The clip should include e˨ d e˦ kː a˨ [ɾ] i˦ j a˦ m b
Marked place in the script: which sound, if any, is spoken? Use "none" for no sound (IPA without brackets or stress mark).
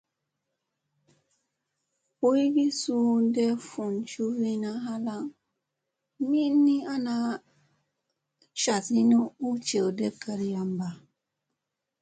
ɾ